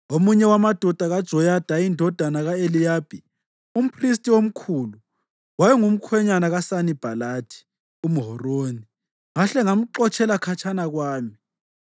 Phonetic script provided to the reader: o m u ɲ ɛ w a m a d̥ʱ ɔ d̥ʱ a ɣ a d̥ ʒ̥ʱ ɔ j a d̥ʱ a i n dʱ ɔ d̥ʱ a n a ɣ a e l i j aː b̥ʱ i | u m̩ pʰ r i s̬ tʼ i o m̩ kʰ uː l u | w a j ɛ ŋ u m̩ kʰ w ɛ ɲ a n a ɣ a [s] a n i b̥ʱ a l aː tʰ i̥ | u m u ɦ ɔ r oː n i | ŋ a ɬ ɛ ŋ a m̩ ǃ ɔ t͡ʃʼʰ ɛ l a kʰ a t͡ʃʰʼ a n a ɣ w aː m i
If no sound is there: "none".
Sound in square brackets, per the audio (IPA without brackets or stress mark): s